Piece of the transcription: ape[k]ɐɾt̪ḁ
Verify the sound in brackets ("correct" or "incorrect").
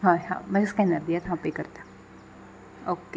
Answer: correct